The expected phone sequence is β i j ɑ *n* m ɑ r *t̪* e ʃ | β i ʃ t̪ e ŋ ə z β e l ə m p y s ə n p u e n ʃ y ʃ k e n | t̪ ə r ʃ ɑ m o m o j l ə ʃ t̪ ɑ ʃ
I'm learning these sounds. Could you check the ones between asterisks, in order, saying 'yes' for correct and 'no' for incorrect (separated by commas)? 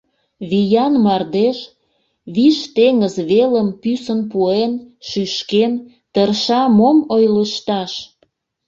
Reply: yes, no